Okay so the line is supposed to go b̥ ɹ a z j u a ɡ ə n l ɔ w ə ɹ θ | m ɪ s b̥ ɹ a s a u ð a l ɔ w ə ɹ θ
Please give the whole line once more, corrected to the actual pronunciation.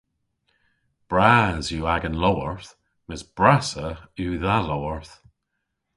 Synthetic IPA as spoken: b̥ ɹ a z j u a ɡ ə n l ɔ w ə ɹ θ | m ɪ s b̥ ɹ a s ə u ð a l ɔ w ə ɹ θ